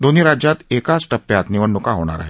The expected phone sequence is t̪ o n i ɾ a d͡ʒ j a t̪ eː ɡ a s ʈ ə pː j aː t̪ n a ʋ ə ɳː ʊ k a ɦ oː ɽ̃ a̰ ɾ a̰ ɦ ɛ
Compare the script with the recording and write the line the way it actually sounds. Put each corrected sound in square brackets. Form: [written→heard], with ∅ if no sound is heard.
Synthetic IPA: [t̪→d̪] o n i ɾ a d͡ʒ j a t̪ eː [ɡ→k] a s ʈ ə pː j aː t̪ n [a→i] ʋ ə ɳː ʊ k a ɦ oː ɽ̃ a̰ ɾ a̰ ɦ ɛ